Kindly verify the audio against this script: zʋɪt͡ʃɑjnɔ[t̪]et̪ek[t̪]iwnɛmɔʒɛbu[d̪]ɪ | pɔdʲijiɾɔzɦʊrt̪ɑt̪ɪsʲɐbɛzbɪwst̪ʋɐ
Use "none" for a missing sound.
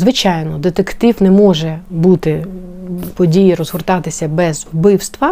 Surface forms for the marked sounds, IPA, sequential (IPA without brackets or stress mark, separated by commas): d̪, t̪, t̪